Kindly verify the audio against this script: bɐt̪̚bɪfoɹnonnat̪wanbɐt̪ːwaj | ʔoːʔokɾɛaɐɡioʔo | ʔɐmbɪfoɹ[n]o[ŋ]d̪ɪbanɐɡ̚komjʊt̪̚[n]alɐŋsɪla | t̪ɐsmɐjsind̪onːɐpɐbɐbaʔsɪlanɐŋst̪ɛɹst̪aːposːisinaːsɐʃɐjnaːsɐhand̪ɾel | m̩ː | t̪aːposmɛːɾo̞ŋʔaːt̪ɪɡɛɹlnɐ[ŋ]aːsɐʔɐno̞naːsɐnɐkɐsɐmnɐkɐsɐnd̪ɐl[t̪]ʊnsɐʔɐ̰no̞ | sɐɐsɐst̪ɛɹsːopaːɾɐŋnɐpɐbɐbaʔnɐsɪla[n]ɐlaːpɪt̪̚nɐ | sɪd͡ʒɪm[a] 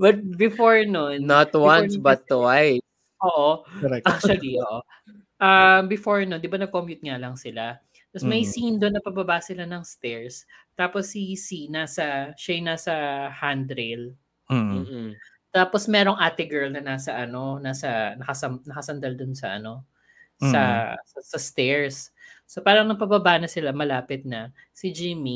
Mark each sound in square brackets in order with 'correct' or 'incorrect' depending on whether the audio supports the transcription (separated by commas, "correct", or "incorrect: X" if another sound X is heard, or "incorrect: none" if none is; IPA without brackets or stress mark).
correct, incorrect: n, incorrect: ŋ, incorrect: n, incorrect: d̪, incorrect: m, incorrect: i